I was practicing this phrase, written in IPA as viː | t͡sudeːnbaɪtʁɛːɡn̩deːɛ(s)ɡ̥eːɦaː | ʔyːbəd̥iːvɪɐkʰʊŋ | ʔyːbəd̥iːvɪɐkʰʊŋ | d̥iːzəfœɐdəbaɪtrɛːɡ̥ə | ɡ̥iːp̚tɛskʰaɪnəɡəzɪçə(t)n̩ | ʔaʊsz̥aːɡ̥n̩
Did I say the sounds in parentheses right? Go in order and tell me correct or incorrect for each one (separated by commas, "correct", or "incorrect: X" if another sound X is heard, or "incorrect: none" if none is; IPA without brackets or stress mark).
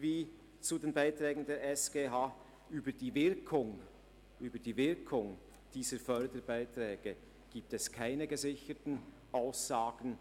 correct, correct